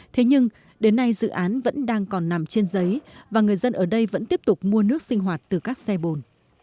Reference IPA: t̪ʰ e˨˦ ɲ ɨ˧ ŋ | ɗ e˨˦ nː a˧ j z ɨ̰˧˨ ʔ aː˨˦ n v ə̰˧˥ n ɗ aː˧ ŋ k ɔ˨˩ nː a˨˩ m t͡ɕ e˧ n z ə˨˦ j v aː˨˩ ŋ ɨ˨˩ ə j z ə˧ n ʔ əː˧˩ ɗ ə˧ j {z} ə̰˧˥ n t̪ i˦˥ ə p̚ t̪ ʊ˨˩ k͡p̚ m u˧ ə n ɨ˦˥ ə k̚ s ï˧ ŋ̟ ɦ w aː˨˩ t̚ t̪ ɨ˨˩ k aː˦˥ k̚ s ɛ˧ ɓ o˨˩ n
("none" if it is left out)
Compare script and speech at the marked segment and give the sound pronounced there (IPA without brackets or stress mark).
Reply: v